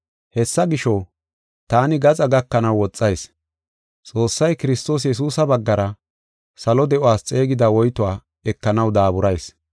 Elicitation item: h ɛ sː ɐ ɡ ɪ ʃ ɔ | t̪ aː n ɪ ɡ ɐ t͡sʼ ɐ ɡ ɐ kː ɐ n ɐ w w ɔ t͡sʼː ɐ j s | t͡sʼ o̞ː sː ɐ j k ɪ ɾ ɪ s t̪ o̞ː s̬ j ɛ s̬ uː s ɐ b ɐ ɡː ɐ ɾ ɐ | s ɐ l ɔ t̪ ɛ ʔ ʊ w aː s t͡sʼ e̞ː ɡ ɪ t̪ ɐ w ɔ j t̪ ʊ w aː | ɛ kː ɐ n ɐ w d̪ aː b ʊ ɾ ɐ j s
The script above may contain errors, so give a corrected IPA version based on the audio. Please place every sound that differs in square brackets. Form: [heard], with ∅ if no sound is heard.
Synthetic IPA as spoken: h ɛ sː ɐ ɡ ɪ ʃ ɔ | t̪ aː n ɪ ɡ ɐ t͡sʼ ɐ ɡ ɐ kː ɐ n ɐ w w ɔ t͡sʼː ɐ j s | t͡sʼ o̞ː sː ɐ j k ɪ ɾ ɪ s t̪ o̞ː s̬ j ɛ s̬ uː s ɐ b ɐ ɡː ɐ ɾ ɐ | s ɐ l ɔ [d̪] ɛ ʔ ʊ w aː s t͡sʼ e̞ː ɡ ɪ [d̪] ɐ w ɔ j t̪ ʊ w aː | ɛ kː ɐ n ɐ w d̪ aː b ʊ ɾ ɐ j s

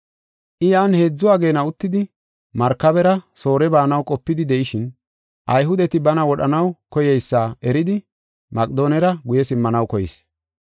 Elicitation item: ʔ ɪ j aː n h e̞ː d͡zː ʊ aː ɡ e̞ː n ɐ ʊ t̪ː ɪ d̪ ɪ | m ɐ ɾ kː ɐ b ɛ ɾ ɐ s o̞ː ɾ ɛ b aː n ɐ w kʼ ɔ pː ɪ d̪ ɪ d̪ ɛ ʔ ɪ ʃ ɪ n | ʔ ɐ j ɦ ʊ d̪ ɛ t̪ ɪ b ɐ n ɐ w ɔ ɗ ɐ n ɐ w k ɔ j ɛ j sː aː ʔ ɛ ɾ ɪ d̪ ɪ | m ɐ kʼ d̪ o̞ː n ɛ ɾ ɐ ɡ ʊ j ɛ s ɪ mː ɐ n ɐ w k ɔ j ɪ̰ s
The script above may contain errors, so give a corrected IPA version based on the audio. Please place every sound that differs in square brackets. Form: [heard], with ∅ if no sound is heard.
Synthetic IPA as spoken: ʔ ɪ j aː n h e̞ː d͡zː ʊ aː ɡ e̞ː n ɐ ʊ t̪ː ɪ d̪ ɪ | m ɐ ɾ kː ɐ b ɛ ɾ ɐ s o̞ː ɾ ɛ b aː n ɐ w kʼ ɔ pː ɪ d̪ ɪ d̪ ɛ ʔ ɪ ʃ ɪ n | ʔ ɐ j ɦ ʊ d̪ ɛ t̪ ɪ b ɐ n ɐ w ɔ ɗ ɐ n ɐ w k ɔ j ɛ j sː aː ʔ ɛ ɾ ɪ d̪ ɪ | m ɐ kʼ d̪ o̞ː n ɛ ɾ ɐ ɡ ʊ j ɛ s ɪ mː ɐ n ɐ w k ɔ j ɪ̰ s

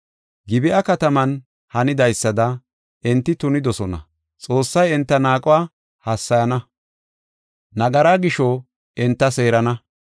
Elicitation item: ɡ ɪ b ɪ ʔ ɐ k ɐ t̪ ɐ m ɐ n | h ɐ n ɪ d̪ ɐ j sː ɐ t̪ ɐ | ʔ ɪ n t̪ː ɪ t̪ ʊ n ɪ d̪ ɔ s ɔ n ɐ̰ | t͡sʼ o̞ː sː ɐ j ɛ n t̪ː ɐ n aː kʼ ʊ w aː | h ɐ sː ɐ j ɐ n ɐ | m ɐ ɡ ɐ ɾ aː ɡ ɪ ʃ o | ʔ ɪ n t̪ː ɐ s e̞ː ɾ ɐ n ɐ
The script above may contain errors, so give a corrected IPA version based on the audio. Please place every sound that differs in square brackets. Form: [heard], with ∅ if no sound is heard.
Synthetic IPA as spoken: ɡ ɪ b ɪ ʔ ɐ k ɐ t̪ ɐ m ɐ n | h ɐ n ɪ d̪ ɐ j sː ɐ [d̪] ɐ | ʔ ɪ n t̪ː ɪ t̪ ʊ n ɪ d̪ ɔ s ɔ n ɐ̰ | t͡sʼ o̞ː sː ɐ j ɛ n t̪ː ɐ n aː kʼ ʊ w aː | h ɐ sː ɐ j ɐ n ɐ | [n] ɐ ɡ ɐ ɾ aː ɡ ɪ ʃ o | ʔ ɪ n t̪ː ɐ s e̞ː ɾ ɐ n ɐ

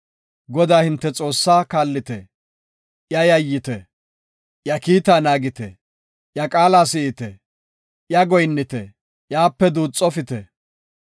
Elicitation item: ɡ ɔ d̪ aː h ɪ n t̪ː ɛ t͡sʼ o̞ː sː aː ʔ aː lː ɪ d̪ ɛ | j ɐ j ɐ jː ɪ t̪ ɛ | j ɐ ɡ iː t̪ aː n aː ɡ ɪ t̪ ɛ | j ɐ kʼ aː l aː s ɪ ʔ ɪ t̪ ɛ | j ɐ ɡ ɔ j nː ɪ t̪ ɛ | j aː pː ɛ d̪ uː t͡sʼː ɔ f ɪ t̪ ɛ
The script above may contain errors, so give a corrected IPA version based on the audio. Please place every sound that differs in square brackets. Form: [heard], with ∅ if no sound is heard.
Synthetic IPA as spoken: ɡ ɔ d̪ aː h ɪ n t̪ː ɛ t͡sʼ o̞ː sː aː [k] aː lː ɪ [t̪] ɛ | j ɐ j ɐ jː ɪ t̪ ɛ | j ɐ [k] iː t̪ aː n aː ɡ ɪ t̪ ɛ | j ɐ kʼ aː l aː s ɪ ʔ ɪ t̪ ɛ | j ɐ ɡ ɔ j nː ɪ t̪ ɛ | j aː pː ɛ d̪ uː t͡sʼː ɔ f ɪ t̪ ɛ

